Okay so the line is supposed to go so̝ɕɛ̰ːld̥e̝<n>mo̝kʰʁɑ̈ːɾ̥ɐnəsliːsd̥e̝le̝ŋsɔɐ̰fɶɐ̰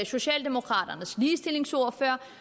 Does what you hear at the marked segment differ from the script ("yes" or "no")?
yes